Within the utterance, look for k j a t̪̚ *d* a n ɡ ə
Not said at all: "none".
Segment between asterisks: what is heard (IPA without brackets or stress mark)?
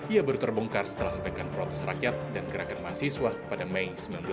d